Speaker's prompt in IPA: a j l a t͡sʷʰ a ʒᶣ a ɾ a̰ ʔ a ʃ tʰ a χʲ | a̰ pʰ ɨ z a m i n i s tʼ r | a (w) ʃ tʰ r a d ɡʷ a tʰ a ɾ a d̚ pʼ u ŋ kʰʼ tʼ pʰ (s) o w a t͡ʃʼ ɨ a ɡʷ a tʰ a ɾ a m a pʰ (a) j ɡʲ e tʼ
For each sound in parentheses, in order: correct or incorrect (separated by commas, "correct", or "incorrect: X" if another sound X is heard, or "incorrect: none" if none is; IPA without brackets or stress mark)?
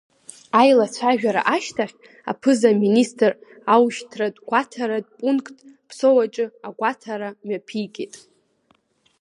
correct, correct, incorrect: i